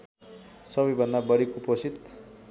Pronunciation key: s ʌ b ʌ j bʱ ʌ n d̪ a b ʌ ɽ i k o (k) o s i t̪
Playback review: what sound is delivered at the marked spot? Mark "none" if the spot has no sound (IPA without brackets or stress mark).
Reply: p